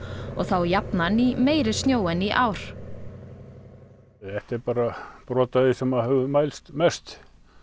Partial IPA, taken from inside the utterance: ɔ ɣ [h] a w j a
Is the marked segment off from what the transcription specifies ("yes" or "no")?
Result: yes